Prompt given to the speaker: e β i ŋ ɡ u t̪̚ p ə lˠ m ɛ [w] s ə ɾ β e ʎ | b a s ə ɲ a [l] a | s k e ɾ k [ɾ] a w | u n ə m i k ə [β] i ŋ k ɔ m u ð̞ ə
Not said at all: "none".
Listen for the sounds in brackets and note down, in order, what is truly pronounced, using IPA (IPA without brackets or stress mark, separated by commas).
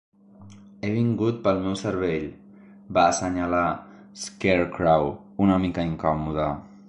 w, l, ɾ, none